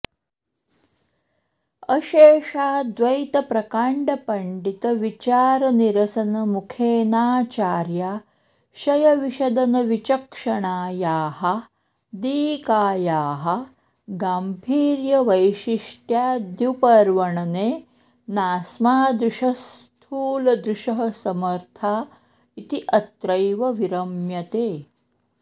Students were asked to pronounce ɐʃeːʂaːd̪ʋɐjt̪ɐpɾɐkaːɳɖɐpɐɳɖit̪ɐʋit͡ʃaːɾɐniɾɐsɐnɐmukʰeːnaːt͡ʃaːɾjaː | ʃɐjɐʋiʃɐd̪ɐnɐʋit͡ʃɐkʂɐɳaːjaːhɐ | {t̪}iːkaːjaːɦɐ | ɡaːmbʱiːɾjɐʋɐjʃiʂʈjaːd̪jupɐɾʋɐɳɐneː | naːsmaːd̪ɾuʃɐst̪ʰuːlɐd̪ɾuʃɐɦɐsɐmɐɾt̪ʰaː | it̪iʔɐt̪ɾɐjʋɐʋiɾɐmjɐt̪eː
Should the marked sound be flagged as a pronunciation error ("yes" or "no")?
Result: yes